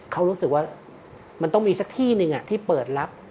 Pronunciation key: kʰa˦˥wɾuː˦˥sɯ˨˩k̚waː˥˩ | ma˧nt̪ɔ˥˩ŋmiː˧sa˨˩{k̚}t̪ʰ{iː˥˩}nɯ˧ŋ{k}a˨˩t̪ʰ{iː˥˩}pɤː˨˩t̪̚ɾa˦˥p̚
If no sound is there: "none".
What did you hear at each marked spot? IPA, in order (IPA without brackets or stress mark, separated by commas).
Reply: k̚, iː˥˩, ʔ, iː˥˩